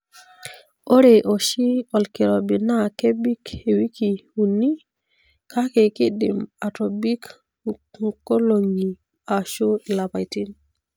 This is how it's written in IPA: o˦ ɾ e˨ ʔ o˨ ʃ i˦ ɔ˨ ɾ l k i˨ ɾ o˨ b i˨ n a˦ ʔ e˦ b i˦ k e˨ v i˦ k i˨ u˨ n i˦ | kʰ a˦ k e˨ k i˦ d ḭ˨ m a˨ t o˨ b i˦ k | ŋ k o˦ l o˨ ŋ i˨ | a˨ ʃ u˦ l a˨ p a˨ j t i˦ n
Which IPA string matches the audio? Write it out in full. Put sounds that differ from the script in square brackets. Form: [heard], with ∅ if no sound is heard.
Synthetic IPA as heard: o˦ ɾ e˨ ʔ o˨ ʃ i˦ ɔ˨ [∅] l k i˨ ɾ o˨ b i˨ n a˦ [k] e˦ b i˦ k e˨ [w] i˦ k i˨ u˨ n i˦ | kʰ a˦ k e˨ k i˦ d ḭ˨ m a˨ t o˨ b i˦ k | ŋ k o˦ l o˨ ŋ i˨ | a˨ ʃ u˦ l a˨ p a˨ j t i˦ n